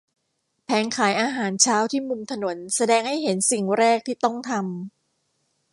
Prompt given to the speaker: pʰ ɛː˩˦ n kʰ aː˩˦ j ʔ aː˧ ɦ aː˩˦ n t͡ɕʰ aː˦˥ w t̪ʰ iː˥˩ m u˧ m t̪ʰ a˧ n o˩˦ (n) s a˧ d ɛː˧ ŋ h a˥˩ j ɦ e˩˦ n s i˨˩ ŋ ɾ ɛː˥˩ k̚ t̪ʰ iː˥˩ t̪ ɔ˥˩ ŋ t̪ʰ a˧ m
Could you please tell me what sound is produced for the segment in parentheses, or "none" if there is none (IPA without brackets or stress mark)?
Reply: n